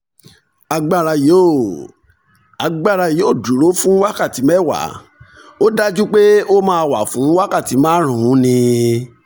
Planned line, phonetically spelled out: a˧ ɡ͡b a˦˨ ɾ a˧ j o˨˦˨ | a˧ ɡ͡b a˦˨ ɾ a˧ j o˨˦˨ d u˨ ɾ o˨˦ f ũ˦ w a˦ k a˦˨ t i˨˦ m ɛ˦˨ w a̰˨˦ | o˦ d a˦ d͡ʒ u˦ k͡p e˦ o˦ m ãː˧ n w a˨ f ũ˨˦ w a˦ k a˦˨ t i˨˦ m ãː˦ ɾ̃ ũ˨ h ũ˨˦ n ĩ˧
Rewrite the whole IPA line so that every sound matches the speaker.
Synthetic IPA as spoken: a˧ ɡ͡b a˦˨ ɾ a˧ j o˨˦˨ | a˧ ɡ͡b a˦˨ ɾ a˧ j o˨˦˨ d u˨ ɾ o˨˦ f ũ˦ w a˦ k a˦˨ t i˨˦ m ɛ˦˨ w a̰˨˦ | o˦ d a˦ d͡ʒ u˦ k͡p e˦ o˦ m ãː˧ w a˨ f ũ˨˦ w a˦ k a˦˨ t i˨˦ m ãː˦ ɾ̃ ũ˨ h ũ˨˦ n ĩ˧